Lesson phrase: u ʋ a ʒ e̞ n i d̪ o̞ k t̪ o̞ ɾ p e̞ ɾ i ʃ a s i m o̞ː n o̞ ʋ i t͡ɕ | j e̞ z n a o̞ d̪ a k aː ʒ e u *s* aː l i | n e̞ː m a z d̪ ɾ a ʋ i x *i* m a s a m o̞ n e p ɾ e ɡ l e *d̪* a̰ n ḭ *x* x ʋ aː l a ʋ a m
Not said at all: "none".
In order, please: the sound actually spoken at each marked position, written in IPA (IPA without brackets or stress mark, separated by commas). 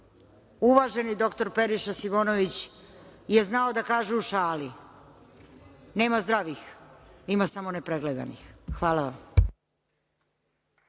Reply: ʃ, i, d̪, x